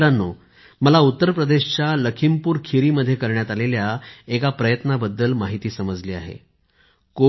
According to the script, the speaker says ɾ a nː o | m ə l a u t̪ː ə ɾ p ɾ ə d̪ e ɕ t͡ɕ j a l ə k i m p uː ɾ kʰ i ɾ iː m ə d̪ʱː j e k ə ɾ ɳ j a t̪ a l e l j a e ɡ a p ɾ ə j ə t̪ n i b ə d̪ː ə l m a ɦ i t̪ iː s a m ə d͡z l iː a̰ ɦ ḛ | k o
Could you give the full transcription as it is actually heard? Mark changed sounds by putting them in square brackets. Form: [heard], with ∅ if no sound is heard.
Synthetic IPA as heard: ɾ a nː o | m ə l a u t̪ː ə ɾ p ɾ ə d̪ e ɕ t͡ɕ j a l ə [kʰ] i m p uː ɾ kʰ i ɾ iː m ə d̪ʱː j e k ə ɾ ɳ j a t̪ a l e l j a e [k] a p ɾ ə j ə t̪ n [a] b ə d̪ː ə l m a ɦ i t̪ iː s [ə] m ə d͡z l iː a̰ ɦ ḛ | k o